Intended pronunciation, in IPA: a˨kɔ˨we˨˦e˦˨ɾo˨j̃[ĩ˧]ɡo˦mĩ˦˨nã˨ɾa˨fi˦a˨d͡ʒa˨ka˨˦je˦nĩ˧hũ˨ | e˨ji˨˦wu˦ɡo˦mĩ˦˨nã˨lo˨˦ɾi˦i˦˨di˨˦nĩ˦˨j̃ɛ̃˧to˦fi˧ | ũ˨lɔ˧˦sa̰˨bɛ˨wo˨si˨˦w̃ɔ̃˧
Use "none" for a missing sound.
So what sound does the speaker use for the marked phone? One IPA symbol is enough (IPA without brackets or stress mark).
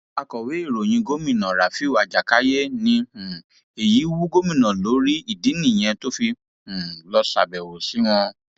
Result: ĩ˧